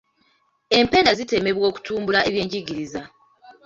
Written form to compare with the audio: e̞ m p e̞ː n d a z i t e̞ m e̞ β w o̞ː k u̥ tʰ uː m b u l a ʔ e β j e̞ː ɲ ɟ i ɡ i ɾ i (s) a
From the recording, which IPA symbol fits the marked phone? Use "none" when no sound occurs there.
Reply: z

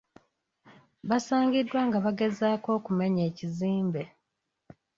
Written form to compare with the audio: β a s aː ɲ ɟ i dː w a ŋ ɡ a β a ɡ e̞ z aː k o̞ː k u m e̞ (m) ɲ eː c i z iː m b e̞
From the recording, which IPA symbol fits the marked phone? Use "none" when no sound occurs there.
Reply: none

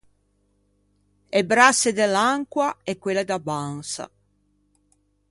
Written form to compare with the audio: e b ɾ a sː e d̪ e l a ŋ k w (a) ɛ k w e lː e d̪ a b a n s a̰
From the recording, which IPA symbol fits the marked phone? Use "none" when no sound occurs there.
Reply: a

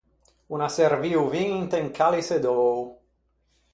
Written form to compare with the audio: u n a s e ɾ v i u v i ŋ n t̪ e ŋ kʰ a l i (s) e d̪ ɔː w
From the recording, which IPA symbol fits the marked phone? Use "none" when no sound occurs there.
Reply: s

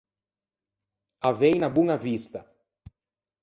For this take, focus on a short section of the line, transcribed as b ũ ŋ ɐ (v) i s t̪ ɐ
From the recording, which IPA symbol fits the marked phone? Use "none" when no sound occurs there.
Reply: v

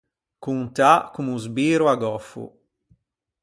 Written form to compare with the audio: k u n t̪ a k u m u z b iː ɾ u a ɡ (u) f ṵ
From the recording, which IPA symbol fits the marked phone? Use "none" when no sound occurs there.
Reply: ɔ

